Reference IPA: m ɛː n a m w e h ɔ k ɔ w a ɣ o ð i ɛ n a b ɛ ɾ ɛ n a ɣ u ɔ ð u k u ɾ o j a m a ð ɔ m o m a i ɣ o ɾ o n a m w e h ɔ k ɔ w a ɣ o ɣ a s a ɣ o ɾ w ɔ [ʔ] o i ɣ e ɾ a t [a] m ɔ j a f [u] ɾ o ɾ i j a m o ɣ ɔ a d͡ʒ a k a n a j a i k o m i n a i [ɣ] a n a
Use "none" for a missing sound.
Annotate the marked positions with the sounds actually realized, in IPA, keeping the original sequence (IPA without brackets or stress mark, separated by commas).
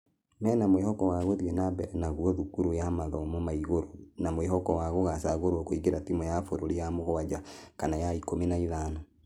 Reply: k, i, o, ð